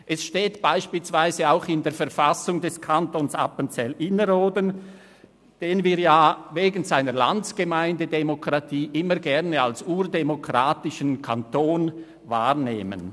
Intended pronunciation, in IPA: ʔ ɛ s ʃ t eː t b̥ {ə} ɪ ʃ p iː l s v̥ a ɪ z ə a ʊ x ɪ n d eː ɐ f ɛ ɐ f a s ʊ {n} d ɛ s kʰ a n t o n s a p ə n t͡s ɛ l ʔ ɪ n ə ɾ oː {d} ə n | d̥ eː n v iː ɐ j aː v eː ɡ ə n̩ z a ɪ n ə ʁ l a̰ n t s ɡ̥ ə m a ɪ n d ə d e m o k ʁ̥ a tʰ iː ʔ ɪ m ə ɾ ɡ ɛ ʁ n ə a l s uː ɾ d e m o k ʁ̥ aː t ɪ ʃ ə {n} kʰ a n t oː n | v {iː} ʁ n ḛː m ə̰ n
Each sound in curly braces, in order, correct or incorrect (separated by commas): incorrect, incorrect, correct, correct, incorrect